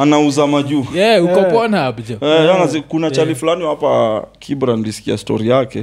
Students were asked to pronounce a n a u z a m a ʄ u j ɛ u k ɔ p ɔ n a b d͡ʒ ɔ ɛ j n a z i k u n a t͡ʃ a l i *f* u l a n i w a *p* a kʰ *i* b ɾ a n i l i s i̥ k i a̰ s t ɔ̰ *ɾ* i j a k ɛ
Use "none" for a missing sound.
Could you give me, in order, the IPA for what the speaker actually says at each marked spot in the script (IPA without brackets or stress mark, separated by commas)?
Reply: f, p, i, ɾ